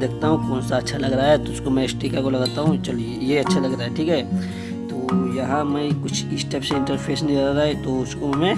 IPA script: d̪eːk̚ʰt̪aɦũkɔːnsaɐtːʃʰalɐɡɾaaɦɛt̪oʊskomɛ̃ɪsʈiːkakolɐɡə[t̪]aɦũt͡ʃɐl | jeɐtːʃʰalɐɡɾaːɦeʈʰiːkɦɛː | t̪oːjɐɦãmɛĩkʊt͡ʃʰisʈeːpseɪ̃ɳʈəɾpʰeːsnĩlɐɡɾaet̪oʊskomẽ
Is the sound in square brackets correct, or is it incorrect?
correct